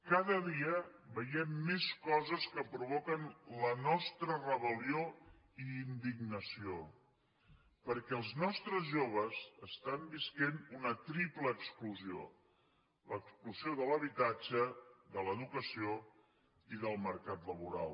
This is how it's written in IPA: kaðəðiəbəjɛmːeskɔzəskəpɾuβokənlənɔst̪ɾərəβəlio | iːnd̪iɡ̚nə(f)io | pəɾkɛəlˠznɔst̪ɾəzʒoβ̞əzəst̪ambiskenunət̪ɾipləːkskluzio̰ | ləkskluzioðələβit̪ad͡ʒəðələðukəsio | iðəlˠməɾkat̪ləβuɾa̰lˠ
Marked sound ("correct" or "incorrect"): incorrect